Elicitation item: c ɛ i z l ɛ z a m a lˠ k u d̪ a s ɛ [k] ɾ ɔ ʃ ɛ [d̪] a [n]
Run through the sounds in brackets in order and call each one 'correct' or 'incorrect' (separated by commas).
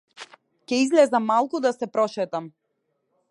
incorrect, incorrect, incorrect